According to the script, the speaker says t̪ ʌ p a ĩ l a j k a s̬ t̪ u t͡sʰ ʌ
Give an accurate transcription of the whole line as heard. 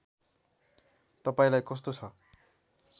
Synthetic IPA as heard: t̪ ʌ p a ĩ l a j k ʌ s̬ t̪ o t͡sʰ ʌ